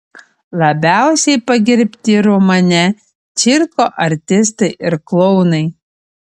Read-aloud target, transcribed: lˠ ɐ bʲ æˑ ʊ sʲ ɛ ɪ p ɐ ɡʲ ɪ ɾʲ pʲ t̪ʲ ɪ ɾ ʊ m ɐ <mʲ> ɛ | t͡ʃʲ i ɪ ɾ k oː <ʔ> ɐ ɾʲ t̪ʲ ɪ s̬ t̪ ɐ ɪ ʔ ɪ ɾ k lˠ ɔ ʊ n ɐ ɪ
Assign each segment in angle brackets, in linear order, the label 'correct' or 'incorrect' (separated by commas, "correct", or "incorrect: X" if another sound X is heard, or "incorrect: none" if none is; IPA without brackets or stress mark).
incorrect: nʲ, correct